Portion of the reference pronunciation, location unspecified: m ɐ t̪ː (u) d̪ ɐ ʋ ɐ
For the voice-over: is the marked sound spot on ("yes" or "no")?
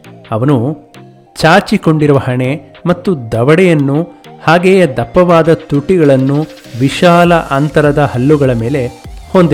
yes